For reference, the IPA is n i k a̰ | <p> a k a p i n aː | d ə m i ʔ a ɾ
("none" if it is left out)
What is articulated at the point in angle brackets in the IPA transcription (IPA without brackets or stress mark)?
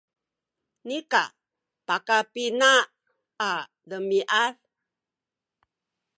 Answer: p